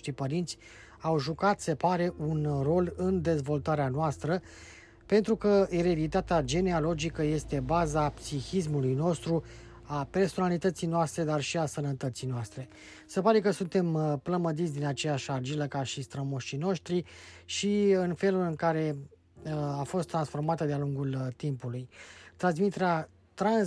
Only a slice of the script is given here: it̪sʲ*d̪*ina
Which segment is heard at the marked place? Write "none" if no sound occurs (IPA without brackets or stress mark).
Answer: d̪